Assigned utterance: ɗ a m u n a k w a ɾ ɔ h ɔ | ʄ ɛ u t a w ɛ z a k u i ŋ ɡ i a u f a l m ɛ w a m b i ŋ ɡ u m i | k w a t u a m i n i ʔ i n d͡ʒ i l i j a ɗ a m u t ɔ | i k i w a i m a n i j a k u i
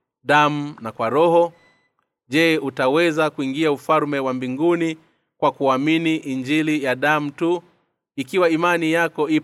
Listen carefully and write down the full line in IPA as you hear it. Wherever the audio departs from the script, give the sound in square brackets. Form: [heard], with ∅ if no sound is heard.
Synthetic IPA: ɗ a m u n a k w a ɾ ɔ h ɔ | ʄ ɛ u t a w ɛ z a k u i ŋ ɡ i a u f a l m ɛ w a m b i ŋ ɡ u [n] i | k w a [k] u a m i n i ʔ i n d͡ʒ i l i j a ɗ a m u t [u] | i k i w a i m a n i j a k [ɔ] i